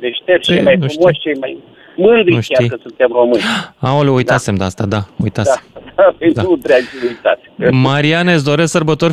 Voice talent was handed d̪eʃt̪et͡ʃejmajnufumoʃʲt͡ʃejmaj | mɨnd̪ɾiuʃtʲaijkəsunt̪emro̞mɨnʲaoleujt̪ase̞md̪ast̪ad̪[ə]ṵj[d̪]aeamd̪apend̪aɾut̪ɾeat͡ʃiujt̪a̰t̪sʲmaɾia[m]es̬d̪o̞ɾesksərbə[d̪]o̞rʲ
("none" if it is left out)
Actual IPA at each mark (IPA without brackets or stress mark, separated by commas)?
a, t̪, n, t̪